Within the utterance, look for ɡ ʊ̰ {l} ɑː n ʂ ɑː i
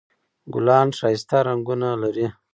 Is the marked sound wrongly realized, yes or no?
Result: no